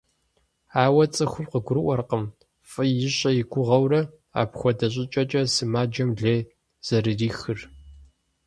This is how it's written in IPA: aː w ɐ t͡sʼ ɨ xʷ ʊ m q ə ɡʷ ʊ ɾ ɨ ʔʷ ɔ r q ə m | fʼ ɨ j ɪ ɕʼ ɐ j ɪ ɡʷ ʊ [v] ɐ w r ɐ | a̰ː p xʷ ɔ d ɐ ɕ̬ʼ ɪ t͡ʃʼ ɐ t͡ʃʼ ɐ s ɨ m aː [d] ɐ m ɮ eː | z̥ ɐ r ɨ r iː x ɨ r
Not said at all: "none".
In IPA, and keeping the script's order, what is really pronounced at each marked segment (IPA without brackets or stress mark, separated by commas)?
ʁ, d͡ʒ